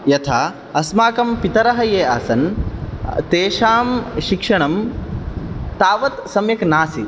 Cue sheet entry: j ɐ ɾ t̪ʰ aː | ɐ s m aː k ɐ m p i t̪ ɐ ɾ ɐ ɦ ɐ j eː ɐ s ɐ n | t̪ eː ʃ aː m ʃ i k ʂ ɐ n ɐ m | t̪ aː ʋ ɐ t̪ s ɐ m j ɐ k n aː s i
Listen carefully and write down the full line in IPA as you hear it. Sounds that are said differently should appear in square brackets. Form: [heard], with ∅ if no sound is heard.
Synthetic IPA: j ɐ [∅] t̪ʰ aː | ɐ s m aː k ɐ m p i t̪ ɐ ɾ ɐ ɦ ɐ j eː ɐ s ɐ n | t̪ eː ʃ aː m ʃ i k ʂ ɐ [ɳ] ɐ m | t̪ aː ʋ ɐ t̪ s ɐ m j ɐ k n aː s i